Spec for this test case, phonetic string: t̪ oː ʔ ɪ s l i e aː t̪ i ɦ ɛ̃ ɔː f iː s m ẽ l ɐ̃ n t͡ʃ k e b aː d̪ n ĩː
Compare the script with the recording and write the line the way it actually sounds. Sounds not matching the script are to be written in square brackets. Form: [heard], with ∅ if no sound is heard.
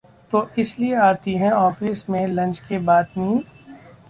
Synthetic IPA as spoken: t̪ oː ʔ ɪ s l i e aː t̪ i ɦ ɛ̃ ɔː f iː s m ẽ l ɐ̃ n t͡ʃ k e b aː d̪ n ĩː